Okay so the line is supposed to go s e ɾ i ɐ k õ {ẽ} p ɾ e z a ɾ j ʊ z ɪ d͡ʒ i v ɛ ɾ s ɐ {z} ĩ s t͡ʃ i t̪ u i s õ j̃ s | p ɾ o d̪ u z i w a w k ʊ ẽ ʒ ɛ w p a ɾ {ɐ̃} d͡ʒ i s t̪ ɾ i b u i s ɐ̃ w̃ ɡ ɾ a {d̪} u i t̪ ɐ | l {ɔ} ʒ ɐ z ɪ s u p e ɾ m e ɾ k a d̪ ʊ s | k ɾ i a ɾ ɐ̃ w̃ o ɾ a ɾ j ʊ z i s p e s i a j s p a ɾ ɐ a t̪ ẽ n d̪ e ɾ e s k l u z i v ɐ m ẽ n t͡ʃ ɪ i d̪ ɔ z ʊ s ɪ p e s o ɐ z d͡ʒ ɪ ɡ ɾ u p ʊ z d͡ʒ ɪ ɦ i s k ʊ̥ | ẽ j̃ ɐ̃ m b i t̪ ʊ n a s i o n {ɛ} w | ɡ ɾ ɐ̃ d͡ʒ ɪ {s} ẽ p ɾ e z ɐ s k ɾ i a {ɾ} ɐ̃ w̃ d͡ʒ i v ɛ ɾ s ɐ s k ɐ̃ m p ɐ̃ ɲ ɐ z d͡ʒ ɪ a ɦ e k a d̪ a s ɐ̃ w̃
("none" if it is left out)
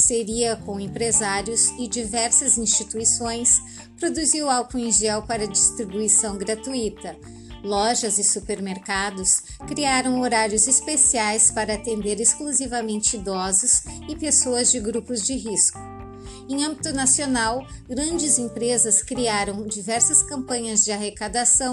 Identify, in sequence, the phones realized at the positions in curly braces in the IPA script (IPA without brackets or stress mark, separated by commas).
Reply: ẽ, z, ɐ, t̪, ɔ, a, z, ɾ